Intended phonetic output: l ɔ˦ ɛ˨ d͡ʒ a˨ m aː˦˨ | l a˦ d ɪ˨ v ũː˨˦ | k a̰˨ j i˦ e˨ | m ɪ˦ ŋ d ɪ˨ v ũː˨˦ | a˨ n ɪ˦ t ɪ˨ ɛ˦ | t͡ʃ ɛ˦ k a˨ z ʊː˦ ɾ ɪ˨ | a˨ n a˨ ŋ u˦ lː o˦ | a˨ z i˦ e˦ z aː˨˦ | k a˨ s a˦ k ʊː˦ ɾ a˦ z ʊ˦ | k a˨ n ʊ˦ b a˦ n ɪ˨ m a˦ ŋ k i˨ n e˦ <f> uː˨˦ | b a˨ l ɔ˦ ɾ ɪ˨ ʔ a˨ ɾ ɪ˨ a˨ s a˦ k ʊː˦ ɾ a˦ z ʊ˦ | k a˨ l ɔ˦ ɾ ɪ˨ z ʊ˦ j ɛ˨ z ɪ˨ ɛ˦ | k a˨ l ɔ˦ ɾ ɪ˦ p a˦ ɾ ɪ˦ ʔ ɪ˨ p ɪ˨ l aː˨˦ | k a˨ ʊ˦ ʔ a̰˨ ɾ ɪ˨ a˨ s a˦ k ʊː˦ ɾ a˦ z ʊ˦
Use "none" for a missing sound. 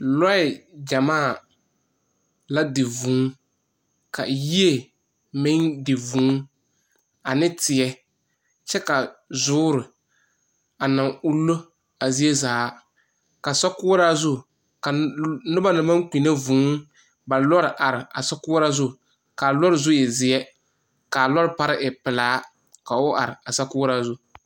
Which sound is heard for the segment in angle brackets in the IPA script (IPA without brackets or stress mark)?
v